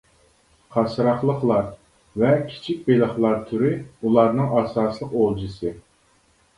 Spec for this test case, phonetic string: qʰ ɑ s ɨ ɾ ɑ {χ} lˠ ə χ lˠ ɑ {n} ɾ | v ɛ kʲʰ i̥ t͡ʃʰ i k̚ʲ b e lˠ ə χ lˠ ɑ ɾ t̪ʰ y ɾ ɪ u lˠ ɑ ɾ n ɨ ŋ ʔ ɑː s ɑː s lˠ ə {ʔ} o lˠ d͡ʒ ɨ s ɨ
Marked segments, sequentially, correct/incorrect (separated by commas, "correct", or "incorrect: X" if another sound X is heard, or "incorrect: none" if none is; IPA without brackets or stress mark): correct, incorrect: none, incorrect: q